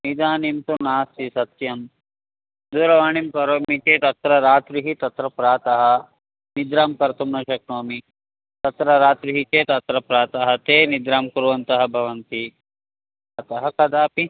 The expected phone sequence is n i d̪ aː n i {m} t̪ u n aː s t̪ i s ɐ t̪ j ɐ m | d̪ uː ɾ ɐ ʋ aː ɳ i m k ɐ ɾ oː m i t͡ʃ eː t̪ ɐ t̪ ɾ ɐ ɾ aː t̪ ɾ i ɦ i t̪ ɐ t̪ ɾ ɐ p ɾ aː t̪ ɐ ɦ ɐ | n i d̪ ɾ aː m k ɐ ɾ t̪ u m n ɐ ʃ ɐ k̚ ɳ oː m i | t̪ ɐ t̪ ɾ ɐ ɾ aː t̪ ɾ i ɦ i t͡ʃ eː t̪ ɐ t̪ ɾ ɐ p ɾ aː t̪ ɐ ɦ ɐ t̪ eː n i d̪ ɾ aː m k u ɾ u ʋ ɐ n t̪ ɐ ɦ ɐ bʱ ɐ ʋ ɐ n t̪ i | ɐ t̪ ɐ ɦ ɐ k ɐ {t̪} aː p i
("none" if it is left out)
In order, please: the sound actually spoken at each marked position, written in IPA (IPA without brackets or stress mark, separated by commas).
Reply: m, d̪